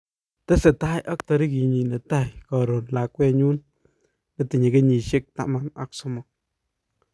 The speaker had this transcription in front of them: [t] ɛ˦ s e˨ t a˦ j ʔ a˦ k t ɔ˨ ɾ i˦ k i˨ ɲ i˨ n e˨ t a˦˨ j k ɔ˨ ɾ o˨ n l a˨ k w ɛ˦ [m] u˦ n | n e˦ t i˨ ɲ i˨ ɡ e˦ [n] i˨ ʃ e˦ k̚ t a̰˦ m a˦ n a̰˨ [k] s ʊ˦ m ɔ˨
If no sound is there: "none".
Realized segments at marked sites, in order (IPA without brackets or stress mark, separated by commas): t, ɲ, ɲ, k